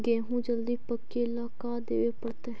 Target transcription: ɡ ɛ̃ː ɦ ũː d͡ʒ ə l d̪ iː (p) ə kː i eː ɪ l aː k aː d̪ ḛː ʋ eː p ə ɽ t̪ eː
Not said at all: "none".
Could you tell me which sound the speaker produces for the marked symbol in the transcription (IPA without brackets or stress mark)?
p